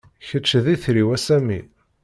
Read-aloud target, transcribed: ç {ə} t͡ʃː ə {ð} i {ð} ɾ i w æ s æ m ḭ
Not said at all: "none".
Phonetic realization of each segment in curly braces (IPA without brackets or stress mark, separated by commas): ə, ð, θ